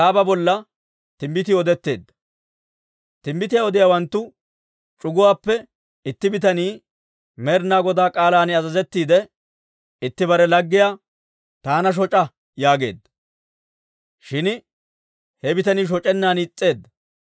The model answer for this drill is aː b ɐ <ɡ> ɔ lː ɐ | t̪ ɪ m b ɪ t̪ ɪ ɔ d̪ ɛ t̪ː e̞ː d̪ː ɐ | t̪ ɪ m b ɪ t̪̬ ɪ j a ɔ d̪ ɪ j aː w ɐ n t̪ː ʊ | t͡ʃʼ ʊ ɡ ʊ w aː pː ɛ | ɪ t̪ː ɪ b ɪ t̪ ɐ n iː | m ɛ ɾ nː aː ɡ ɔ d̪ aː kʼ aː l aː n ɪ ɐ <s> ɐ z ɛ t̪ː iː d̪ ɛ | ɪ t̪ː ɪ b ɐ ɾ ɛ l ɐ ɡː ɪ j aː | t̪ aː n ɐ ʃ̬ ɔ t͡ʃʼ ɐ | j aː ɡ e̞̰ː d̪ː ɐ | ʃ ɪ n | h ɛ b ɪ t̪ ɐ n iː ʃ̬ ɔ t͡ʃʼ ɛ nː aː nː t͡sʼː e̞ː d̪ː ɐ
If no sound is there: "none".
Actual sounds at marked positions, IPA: b, z

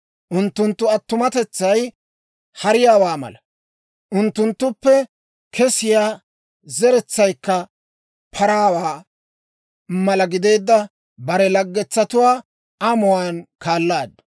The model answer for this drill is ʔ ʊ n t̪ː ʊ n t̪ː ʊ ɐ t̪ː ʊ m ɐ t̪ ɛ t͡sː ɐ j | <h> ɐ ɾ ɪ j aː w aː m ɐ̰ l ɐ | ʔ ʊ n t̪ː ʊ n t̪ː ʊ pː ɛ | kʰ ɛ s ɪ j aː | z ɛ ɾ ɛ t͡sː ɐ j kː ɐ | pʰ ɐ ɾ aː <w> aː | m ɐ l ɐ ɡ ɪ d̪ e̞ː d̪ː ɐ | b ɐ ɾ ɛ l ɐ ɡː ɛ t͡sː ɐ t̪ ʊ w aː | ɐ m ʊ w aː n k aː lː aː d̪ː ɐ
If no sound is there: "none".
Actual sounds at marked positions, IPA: h, w

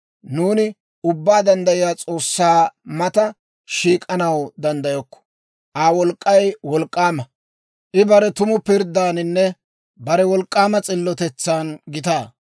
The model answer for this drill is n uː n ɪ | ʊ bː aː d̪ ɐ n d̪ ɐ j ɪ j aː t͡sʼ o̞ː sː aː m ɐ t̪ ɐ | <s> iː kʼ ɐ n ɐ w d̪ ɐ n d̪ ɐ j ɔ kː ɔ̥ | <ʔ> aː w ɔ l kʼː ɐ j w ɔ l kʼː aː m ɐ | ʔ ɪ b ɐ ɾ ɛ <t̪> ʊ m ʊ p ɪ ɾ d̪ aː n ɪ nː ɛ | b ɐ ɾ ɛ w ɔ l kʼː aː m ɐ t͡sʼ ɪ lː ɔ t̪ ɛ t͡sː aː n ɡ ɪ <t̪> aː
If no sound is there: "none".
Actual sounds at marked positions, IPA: ʃ, ʔ, t̪, t̪

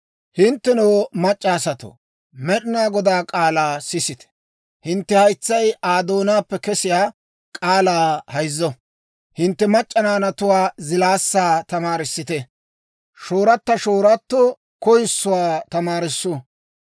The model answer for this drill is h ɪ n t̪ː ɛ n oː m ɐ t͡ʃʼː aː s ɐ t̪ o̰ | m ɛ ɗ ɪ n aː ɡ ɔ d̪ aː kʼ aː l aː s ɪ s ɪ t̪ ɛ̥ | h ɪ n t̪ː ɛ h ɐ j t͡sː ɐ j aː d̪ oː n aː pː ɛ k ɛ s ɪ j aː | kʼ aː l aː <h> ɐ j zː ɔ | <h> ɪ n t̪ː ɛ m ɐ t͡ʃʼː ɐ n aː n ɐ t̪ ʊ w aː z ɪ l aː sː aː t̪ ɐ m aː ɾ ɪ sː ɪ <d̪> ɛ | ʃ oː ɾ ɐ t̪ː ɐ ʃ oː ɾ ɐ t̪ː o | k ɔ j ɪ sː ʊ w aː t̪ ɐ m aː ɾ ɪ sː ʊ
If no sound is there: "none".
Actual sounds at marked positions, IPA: h, h, t̪

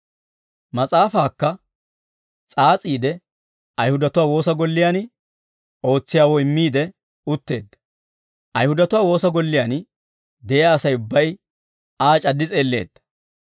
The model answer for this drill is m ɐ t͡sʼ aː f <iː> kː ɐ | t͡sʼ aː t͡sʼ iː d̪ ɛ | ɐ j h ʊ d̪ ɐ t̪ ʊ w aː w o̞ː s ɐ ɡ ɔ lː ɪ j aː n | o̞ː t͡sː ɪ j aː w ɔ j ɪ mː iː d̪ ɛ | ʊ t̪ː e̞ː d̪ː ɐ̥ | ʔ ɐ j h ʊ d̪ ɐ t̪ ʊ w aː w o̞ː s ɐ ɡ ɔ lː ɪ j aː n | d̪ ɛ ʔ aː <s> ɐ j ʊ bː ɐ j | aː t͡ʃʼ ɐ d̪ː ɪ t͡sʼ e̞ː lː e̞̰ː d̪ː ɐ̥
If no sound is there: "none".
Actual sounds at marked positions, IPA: aː, s

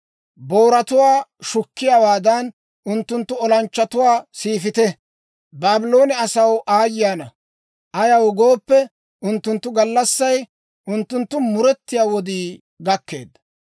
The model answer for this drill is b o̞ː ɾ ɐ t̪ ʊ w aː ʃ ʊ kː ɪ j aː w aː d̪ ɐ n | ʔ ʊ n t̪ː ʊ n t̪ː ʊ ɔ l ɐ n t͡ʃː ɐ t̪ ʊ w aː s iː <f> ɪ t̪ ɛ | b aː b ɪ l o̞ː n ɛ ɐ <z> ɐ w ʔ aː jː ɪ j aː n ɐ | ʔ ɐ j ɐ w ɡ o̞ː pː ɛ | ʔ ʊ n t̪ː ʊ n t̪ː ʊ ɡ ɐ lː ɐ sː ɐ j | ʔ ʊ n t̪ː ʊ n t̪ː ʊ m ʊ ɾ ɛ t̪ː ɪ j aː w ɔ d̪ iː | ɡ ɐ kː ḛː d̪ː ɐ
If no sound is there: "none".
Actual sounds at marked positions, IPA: f, s

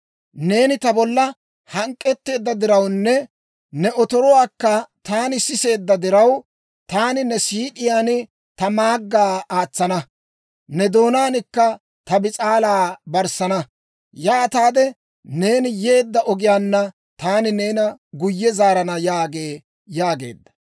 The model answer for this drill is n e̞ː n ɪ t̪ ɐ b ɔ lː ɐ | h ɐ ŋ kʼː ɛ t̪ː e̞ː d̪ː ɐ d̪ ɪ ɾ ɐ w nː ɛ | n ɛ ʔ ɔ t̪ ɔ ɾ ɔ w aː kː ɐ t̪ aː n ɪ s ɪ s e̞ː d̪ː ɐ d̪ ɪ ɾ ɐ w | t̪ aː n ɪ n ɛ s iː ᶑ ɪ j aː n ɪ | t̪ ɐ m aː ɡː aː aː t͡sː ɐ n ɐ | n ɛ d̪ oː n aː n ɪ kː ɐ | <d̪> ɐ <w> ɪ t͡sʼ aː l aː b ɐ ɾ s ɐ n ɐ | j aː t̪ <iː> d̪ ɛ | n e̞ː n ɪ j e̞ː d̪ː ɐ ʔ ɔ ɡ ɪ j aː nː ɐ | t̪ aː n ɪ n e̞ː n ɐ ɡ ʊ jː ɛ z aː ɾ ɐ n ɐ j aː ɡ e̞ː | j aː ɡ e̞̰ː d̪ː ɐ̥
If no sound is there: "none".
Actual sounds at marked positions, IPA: t̪, b, aː

